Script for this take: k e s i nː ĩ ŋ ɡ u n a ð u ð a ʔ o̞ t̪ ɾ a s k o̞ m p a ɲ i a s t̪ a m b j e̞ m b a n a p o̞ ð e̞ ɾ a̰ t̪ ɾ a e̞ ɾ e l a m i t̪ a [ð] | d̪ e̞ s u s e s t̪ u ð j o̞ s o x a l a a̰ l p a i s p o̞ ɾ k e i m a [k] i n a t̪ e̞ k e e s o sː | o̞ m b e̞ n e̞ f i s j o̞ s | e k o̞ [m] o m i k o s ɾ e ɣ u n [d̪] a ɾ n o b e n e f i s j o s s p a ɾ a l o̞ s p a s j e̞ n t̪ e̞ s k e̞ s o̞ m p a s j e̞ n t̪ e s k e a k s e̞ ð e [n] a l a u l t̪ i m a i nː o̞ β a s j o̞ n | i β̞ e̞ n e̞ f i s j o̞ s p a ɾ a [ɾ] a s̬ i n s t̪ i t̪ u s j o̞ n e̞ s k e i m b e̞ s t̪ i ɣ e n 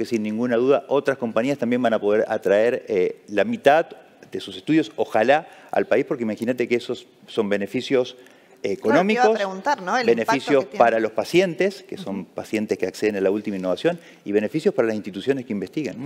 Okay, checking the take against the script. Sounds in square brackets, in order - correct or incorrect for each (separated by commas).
correct, incorrect, incorrect, incorrect, correct, incorrect